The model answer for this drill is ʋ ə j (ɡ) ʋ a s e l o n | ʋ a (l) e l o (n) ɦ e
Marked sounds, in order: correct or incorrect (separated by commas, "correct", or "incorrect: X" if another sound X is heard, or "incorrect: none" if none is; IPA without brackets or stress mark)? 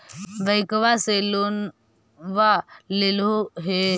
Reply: incorrect: k, correct, incorrect: none